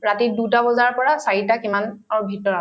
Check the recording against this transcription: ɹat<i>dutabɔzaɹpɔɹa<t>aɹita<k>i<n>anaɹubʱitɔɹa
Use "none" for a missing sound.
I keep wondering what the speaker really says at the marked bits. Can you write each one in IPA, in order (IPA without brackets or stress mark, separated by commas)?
i, s, k, m